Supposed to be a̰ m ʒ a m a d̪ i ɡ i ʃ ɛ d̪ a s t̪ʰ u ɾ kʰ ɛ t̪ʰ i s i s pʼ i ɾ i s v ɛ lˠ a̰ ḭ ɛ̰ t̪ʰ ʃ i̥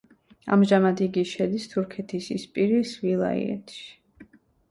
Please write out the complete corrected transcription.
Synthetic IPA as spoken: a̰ m ʒ a m a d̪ i ɡ i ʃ ɛ d̪ i s t̪ʰ u ɾ kʰ ɛ t̪ʰ i s i s pʼ i ɾ i s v i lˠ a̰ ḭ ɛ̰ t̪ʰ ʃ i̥

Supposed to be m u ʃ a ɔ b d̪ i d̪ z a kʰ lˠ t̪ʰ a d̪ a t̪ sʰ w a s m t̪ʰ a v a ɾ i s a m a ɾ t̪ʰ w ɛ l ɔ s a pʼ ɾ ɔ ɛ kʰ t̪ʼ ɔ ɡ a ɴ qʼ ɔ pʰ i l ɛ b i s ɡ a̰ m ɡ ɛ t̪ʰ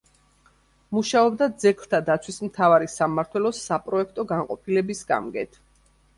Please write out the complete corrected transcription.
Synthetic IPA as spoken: m u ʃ a ɔ b d̪ a d̪ z ɛ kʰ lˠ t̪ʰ a d̪ a t̪ sʰ w i s m t̪ʰ a v a ɾ i s a m a ɾ t̪ʰ w ɛ l ɔ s a pʼ ɾ ɔ ɛ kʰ t̪ʼ ɔ ɡ a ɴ qʼ ɔ pʰ i l ɛ b i s ɡ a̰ m ɡ ɛ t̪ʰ

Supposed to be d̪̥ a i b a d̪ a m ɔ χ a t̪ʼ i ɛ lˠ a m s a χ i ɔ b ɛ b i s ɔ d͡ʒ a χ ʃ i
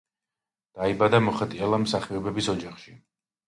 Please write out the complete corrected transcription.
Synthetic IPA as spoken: d̪̥ a i b a d̪ a m ɔ χ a t̪ʼ i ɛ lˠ a m s a χ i ɔ b ɛ b i s ɔ d͡ʒ a χ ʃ i

